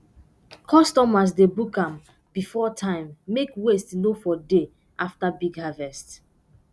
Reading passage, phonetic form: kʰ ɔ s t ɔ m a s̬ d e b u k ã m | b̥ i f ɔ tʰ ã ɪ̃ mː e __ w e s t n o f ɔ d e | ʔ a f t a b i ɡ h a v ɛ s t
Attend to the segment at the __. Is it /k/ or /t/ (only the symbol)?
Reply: k